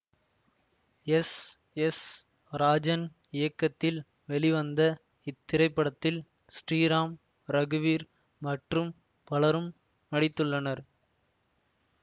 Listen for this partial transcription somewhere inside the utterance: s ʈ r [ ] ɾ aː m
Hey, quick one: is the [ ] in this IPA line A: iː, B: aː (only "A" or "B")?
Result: A